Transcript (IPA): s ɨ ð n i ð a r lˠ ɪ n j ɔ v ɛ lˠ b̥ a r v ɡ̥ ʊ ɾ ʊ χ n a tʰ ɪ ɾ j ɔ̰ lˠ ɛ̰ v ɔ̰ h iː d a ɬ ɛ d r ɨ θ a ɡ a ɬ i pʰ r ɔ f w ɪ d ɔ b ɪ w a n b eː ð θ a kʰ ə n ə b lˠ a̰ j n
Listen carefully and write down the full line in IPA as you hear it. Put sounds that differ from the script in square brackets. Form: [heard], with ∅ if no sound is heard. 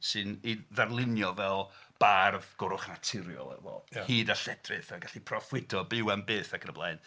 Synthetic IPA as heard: s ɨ [∅] n i ð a r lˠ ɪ n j ɔ v ɛ lˠ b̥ a r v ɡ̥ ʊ ɾ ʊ χ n a tʰ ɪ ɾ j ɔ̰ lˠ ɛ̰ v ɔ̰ h iː d a ɬ ɛ d r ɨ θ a ɡ a ɬ i pʰ r ɔ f w ɪ d ɔ b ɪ w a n b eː [∅] θ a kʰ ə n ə b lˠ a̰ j n